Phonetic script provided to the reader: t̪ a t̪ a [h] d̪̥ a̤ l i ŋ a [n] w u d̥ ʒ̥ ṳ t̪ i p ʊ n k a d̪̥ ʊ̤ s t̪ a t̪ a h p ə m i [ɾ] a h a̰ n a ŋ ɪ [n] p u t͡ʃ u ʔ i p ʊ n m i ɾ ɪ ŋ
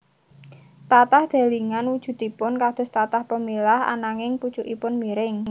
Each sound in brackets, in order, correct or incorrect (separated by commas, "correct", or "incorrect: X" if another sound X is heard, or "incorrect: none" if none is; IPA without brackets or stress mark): correct, correct, incorrect: l, incorrect: ŋ